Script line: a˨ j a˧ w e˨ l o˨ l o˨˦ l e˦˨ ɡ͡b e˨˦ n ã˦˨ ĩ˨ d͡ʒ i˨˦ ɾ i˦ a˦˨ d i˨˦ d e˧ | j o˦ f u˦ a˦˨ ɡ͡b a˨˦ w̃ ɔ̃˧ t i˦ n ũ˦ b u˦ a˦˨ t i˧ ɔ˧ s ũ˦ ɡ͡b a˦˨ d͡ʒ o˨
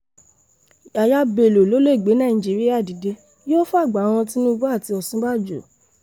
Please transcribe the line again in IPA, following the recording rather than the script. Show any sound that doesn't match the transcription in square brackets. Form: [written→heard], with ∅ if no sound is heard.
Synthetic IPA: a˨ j a˧ [w→b] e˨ l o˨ l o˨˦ l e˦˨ ɡ͡b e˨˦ n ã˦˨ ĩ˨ d͡ʒ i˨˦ ɾ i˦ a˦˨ d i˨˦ d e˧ | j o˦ f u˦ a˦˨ ɡ͡b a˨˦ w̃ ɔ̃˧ t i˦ n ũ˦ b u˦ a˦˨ t i˧ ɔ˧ s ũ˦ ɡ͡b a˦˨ d͡ʒ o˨